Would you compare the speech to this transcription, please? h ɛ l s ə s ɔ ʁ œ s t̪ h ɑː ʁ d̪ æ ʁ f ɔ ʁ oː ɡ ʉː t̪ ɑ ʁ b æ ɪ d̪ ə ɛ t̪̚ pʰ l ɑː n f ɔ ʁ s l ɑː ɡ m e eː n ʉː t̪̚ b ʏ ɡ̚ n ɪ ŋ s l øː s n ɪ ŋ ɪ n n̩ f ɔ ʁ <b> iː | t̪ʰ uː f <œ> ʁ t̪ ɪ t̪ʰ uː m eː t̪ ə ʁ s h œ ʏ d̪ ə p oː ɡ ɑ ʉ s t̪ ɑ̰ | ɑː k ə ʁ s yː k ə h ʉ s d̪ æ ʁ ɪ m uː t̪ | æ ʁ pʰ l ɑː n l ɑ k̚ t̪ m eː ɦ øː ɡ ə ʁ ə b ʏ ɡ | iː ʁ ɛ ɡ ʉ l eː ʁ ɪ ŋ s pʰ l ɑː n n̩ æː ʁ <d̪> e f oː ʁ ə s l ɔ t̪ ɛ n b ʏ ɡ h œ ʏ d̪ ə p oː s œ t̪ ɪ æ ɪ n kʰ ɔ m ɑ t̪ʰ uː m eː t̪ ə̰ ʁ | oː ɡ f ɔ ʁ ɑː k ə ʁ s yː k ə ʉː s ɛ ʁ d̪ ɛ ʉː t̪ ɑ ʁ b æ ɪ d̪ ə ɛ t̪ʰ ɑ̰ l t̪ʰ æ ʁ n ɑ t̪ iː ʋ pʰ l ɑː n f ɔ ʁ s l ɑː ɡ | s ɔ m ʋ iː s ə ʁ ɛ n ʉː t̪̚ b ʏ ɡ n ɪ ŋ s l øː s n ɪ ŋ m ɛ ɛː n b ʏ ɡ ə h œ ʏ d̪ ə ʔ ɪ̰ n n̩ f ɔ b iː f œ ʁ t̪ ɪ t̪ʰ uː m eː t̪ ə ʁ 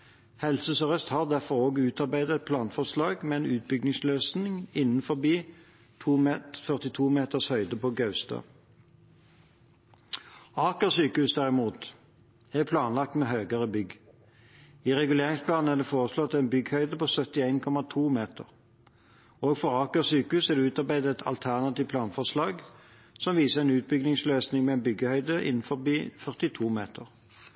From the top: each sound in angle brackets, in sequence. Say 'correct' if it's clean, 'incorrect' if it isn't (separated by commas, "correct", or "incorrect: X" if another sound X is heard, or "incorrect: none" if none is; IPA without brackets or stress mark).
correct, correct, correct